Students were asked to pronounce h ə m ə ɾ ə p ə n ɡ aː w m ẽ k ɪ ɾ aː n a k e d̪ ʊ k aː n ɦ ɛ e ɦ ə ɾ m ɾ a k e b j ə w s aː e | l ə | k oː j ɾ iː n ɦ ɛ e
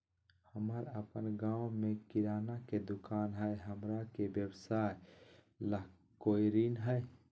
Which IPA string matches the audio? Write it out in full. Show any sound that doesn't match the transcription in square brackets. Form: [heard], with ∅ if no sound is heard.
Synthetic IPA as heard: h ə m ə ɾ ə p ə n ɡ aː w m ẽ k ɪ ɾ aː n a k e d̪ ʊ k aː n ɦ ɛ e ɦ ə [∅] m ɾ a k e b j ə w s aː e | l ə | k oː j ɾ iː n ɦ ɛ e